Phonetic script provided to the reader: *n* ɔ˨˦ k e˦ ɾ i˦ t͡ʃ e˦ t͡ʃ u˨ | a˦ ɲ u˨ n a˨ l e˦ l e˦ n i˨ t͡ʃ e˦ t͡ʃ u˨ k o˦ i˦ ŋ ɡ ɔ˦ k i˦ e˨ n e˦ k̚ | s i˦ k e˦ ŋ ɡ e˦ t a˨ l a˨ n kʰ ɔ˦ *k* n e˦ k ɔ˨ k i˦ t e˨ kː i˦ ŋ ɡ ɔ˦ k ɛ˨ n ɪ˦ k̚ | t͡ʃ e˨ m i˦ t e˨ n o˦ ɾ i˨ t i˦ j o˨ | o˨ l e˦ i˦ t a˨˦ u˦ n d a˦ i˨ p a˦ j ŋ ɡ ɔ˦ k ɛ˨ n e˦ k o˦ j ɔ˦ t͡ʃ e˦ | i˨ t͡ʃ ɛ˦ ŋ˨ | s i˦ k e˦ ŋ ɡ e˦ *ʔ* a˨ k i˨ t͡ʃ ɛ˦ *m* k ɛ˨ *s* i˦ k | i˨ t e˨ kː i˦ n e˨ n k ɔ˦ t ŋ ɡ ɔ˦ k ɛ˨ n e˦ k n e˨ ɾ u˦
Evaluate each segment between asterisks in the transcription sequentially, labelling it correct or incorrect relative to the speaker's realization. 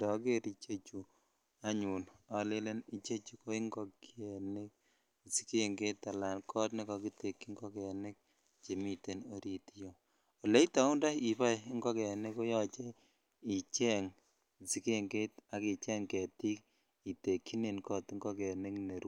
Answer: incorrect: d, incorrect: t, incorrect: t, incorrect: ŋ, incorrect: t

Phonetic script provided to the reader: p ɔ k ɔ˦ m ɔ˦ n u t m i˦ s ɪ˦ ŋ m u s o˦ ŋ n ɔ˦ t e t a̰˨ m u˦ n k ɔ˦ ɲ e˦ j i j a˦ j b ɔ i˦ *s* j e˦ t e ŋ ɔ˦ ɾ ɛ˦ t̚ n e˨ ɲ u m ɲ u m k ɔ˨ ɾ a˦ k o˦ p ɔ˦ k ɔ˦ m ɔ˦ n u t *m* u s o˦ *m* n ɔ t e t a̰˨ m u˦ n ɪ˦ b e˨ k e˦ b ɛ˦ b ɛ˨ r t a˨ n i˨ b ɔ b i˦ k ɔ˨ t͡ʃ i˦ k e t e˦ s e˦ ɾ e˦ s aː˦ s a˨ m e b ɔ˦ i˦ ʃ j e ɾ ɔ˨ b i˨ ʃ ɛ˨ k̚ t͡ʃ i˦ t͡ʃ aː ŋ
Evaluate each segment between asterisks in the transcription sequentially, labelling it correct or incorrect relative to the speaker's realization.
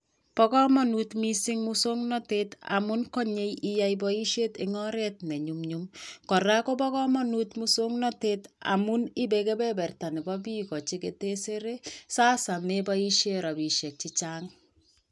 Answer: incorrect: ʃ, correct, incorrect: ŋ

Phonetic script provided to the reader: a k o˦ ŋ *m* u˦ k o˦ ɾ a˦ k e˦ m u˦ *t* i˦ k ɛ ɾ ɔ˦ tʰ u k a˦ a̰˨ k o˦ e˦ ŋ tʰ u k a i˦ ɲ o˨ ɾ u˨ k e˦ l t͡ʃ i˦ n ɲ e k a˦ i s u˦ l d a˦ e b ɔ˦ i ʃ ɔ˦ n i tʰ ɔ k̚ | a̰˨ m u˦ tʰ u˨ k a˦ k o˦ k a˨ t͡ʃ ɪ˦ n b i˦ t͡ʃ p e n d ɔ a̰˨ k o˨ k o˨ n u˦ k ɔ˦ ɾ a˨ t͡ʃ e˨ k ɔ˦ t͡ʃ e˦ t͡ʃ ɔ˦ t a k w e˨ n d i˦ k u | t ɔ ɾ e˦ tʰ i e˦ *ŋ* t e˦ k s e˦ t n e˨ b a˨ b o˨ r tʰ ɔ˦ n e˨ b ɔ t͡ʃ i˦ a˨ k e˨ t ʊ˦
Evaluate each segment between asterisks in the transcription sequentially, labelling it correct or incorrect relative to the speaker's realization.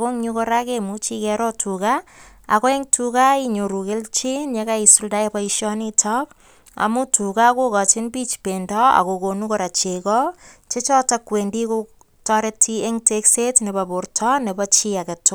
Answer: incorrect: ɲ, incorrect: t͡ʃ, correct

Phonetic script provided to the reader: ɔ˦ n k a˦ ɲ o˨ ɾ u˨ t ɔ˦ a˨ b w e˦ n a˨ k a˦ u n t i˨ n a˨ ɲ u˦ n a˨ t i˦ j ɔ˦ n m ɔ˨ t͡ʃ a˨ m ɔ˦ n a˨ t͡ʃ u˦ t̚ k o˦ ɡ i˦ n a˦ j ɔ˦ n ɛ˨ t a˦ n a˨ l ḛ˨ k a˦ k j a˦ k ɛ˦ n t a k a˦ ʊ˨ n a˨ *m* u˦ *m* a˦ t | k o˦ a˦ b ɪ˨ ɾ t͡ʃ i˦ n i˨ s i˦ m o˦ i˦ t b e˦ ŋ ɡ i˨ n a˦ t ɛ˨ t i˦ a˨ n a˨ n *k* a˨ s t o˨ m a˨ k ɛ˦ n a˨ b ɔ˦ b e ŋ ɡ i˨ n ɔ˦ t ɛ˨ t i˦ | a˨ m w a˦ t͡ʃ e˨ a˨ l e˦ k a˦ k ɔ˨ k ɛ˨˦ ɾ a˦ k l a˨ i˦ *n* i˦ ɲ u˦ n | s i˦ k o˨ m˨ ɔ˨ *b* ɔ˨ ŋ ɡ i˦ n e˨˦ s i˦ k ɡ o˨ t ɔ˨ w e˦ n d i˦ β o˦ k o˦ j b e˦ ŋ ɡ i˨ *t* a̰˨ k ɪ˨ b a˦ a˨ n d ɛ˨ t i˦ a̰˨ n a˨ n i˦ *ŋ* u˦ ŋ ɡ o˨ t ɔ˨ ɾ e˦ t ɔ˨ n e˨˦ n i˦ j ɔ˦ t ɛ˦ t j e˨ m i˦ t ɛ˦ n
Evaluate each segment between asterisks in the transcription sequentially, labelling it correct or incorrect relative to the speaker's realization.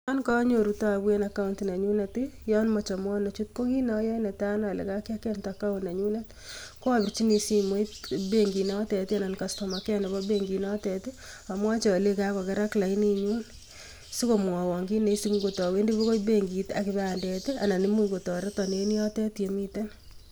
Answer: incorrect: ɲ, incorrect: n, correct, correct, incorrect: w, correct, incorrect: m

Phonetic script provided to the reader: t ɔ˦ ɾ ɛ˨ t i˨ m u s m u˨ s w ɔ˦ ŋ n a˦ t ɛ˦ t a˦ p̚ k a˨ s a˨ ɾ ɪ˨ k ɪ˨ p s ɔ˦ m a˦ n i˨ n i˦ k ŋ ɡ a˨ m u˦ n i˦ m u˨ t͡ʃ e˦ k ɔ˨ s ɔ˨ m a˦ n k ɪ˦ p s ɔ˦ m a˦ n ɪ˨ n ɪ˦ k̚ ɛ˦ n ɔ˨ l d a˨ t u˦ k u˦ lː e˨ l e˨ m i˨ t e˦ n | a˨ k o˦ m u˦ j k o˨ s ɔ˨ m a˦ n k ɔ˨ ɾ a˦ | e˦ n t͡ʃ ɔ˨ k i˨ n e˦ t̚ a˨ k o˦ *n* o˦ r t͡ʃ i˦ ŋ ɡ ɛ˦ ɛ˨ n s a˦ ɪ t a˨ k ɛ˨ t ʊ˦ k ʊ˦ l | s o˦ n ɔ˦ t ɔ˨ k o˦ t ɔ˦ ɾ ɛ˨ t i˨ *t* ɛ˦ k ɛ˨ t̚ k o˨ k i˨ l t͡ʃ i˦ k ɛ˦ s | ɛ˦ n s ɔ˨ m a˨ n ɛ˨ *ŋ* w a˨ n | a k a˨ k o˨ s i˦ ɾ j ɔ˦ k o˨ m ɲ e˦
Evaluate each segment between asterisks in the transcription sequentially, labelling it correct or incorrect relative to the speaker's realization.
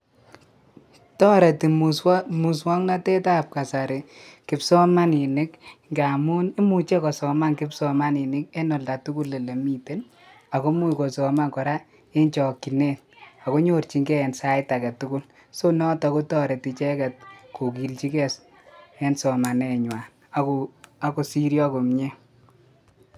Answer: incorrect: ɲ, incorrect: t͡ʃ, incorrect: ɲ

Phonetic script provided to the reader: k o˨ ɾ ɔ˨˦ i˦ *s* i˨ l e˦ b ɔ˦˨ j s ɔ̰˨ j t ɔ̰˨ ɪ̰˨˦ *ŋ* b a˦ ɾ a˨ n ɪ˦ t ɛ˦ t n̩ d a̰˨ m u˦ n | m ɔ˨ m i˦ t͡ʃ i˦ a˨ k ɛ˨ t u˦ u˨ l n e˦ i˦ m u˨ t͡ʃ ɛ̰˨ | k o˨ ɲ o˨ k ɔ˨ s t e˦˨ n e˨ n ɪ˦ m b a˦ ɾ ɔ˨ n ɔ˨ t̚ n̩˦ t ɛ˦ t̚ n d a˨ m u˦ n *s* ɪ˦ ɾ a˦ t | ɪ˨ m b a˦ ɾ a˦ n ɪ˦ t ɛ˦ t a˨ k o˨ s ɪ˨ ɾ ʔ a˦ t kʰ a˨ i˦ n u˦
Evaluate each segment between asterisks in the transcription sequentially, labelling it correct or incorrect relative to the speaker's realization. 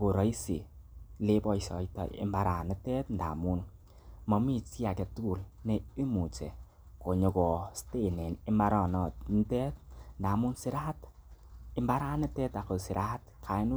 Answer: correct, incorrect: m, correct

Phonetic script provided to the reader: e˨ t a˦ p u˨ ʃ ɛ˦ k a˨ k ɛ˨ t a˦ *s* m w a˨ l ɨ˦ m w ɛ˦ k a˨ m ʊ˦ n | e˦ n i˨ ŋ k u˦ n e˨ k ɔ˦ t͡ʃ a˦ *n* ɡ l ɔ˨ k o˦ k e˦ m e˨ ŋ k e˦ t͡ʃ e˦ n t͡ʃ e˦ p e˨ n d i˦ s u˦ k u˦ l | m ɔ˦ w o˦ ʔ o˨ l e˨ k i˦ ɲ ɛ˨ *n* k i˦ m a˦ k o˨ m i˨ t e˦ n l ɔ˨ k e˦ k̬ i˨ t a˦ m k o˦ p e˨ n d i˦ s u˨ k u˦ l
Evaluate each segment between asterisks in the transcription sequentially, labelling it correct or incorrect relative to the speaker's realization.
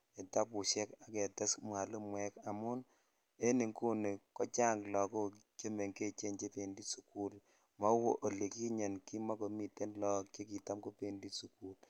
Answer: correct, incorrect: ŋ, correct

